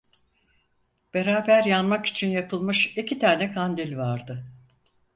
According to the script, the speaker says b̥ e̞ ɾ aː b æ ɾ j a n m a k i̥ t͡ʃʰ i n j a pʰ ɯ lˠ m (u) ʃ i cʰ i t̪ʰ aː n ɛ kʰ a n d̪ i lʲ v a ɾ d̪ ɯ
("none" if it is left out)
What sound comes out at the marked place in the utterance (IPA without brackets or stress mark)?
ɯ